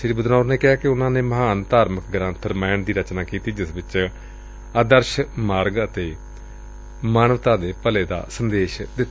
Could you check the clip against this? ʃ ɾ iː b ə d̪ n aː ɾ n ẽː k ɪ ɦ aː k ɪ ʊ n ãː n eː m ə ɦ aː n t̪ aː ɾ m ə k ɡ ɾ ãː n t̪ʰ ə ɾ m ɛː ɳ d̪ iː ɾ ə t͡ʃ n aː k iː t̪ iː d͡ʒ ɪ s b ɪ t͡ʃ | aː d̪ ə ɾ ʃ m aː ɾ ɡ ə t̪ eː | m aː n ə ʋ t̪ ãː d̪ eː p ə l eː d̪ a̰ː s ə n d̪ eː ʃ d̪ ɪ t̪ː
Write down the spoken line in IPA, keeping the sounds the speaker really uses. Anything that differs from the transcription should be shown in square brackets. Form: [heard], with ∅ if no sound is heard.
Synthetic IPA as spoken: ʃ ɾ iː b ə d̪ n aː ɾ n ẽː k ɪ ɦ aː k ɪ ʊ n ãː n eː m ə ɦ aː n t̪ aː ɾ m ə k ɡ ɾ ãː n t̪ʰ ə ɾ m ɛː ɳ d̪ iː ɾ ə t͡ʃ n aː k iː t̪ iː d͡ʒ ɪ s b ɪ t͡ʃ | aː d̪ ə ɾ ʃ m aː ɾ ɡ ə t̪ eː | m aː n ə ʋ t̪ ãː d̪ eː p ə l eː d̪ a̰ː s ə n d̪ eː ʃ d̪ ɪ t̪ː